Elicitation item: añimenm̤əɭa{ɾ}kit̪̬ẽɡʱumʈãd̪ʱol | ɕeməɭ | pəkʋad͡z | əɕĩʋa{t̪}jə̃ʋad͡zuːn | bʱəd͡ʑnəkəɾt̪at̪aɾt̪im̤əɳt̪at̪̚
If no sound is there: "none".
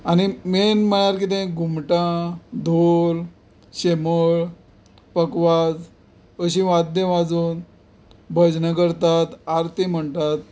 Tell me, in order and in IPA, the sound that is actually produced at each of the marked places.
ɾ, d̪

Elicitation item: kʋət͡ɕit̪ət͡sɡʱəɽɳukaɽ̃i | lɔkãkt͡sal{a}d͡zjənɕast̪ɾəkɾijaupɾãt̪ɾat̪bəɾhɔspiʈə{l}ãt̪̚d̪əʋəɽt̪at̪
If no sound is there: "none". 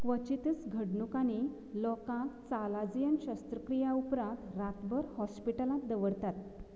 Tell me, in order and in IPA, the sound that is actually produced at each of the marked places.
a, l

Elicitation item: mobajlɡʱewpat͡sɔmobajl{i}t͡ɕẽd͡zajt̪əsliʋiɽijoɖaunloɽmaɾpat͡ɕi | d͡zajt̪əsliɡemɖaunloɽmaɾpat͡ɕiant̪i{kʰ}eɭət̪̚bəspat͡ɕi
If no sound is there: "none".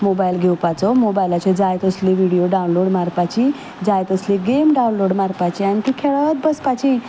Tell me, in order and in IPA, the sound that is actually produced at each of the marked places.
a, kʰ

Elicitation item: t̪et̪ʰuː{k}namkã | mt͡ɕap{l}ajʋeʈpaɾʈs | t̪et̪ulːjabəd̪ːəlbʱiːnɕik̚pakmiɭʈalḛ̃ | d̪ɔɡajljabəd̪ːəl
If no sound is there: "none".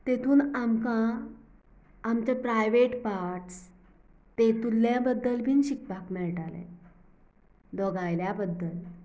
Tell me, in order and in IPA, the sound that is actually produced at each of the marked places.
none, ɾ

